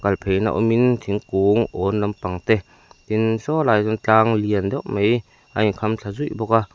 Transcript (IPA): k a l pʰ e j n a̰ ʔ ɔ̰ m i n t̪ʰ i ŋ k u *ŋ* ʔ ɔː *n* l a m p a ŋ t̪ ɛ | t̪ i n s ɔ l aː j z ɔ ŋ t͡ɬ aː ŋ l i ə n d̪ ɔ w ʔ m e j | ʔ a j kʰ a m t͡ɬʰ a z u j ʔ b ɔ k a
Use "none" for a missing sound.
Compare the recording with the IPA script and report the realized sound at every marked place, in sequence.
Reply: ŋ, n

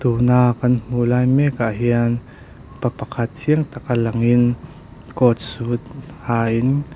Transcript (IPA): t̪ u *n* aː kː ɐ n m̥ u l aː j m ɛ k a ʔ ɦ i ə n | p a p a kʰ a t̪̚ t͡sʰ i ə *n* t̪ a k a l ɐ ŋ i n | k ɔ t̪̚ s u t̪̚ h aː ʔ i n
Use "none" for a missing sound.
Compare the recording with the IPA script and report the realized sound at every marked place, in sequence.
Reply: n, ŋ

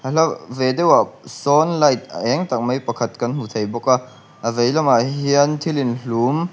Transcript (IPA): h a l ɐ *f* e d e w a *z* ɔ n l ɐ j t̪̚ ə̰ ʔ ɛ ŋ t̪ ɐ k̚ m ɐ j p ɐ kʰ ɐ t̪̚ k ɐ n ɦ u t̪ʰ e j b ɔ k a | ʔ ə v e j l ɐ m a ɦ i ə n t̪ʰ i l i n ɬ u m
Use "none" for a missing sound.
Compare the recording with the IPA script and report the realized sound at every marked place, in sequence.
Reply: v, s

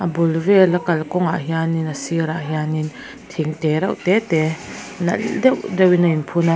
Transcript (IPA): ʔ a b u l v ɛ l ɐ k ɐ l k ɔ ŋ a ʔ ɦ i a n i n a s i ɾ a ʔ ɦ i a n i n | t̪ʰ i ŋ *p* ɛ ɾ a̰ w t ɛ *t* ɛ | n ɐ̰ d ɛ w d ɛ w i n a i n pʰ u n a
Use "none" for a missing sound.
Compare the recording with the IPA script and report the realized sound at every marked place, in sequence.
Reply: t, t

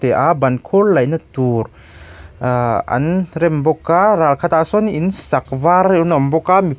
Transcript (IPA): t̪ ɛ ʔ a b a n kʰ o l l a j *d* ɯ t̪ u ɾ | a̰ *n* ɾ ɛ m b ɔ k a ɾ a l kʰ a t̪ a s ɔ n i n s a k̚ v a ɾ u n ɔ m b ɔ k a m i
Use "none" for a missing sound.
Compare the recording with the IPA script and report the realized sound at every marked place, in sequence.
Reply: n, n

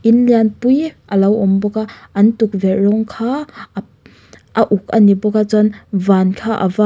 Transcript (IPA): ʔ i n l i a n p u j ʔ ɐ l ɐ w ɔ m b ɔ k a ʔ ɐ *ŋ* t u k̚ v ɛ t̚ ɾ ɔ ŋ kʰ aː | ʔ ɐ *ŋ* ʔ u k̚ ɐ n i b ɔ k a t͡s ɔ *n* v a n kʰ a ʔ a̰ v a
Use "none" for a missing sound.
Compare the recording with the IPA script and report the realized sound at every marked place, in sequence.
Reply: n, none, n

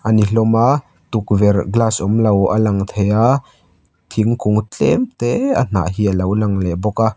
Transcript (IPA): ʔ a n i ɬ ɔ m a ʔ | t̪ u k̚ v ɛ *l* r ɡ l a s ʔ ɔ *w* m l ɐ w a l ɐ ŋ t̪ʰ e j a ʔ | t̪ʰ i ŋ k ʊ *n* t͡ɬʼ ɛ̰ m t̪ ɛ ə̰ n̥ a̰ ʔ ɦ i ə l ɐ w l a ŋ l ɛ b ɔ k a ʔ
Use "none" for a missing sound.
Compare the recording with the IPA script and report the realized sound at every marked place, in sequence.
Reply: none, none, ŋ

